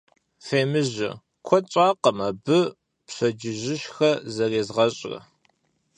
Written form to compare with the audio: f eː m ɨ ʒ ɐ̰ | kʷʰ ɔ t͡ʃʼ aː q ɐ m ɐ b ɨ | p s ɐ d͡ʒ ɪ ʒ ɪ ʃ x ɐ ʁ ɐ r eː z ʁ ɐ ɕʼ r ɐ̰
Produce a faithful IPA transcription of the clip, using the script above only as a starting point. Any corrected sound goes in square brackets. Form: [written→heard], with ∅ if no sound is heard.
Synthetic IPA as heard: f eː m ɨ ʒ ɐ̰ | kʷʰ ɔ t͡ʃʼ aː q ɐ m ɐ b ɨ | p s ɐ d͡ʒ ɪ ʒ ɪ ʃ x ɐ [ʁ→z] ɐ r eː z ʁ ɐ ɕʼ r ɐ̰